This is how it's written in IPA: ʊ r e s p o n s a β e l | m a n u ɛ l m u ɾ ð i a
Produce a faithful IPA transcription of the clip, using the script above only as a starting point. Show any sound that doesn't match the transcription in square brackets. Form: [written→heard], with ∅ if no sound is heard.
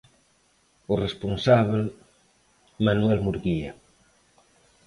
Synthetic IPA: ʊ r e s p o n s a β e l | m a n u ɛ l m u ɾ [ð→ɣ] i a